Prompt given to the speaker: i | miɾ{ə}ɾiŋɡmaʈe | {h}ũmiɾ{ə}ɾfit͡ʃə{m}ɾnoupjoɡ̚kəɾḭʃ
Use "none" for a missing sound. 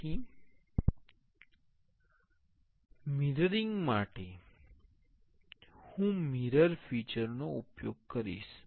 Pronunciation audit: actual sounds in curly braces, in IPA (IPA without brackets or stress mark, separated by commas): ə, h, ə, none